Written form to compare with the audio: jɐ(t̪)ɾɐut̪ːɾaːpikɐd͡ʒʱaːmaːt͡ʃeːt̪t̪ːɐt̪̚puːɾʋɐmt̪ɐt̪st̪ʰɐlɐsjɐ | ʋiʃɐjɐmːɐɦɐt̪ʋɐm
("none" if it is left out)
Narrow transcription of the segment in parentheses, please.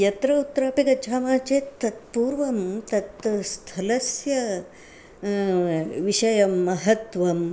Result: t̪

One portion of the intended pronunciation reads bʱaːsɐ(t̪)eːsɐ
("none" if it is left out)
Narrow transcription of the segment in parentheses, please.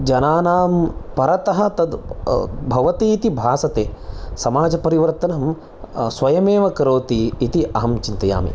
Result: t̪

